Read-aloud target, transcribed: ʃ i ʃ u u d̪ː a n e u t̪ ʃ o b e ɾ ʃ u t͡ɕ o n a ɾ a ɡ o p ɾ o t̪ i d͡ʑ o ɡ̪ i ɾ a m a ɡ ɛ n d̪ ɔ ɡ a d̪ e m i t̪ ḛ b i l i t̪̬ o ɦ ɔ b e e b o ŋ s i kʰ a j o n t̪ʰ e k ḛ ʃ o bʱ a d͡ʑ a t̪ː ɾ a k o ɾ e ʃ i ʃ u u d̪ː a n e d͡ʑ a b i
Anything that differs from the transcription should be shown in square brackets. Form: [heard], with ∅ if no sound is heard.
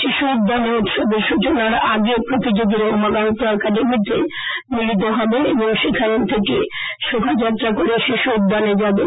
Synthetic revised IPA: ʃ i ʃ u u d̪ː a n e u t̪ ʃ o b e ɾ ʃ u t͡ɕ o n a ɾ a ɡ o p ɾ o t̪ i d͡ʑ o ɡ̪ i ɾ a m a ɡ [a] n [t̪] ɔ [k] a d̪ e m i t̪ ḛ [m] i l i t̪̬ o ɦ ɔ b e e b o ŋ [ʃ] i kʰ a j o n t̪ʰ e k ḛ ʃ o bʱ a d͡ʑ a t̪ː ɾ a k o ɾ e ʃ i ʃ u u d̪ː a n e d͡ʑ a b [e]

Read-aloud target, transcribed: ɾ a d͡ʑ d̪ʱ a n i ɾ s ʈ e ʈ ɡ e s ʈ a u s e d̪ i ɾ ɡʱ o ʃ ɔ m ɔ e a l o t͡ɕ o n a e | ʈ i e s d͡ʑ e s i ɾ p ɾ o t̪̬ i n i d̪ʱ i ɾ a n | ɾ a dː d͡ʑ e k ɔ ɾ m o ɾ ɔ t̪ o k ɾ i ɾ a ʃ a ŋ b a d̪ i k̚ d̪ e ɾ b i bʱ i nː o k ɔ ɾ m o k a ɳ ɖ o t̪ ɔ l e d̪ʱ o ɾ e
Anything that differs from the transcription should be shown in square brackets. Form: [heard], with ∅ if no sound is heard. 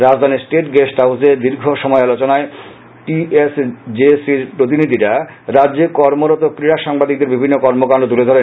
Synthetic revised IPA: ɾ a d͡ʑ d̪ʱ a n i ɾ s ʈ e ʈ ɡ e s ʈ a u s e d̪ i ɾ ɡʱ o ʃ ɔ m ɔ e a l o t͡ɕ o n a e | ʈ i e s d͡ʑ e s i ɾ p ɾ o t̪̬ i n i d̪ʱ i ɾ a [∅] | ɾ a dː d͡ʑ e k ɔ ɾ m o ɾ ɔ t̪ o k ɾ i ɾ a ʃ a ŋ b a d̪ i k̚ d̪ e ɾ b i bʱ i nː o k ɔ ɾ m o k a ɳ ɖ o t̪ [u] l e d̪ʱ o ɾ e

